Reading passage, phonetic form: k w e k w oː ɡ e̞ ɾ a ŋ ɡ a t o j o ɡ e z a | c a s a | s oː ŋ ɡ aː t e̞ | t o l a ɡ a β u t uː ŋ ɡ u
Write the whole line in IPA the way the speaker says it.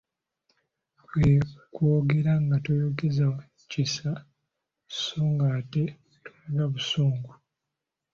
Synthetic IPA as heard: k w e k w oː ɡ e̞ ɾ a ŋ ɡ a t o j o ɡ e z a | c i s a | s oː ŋ ɡ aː t e̞ | t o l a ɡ a β u s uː ŋ ɡ u